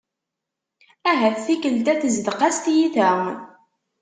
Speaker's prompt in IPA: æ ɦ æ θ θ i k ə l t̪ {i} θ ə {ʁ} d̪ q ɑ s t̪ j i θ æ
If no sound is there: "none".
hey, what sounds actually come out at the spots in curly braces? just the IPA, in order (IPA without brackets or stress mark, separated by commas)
æ, z